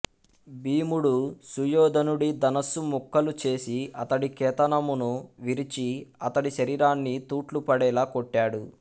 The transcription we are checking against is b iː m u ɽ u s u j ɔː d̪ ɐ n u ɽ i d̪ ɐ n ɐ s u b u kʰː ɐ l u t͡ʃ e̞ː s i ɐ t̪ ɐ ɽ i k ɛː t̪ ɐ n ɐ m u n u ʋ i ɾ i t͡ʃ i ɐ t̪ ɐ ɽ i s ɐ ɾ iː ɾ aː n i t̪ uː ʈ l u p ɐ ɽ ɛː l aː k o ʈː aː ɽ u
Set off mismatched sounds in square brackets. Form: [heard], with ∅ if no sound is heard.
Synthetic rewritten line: b iː m u ɽ u s u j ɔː d̪ ɐ n u ɽ i d̪ ɐ n ɐ s u [m] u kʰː ɐ l u t͡ʃ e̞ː s i ɐ t̪ ɐ ɽ i k ɛː t̪ ɐ n ɐ m u n u ʋ i ɾ i t͡ʃ i ɐ t̪ ɐ ɽ i [ʃ] ɐ ɾ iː ɾ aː [nː] i t̪ uː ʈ l u p ɐ ɽ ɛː l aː k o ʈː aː ɽ u